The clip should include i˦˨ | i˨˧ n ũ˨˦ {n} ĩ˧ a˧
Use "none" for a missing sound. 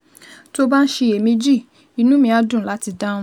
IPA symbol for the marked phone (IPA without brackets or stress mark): m